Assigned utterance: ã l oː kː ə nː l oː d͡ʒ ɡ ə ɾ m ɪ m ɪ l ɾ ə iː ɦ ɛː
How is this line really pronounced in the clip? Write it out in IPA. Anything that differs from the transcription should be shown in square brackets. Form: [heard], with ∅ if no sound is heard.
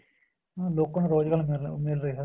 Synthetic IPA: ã l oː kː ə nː [ɾ] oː d͡ʒ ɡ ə [l] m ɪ m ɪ l ɾ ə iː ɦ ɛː